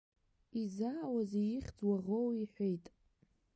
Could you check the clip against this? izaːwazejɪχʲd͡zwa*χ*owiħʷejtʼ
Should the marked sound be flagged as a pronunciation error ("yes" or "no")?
yes